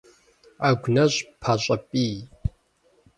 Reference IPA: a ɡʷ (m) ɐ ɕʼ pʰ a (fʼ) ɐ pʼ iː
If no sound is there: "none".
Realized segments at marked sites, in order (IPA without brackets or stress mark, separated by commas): n, ɕʼ